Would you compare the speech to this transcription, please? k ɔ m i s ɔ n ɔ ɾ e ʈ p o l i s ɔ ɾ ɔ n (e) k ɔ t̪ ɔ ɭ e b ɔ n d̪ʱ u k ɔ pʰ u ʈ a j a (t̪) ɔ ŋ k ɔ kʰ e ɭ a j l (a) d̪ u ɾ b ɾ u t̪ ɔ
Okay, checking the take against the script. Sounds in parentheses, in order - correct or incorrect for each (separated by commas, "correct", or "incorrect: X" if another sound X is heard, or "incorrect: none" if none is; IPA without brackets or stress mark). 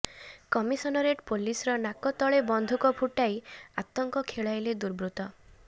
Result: incorrect: a, correct, incorrect: e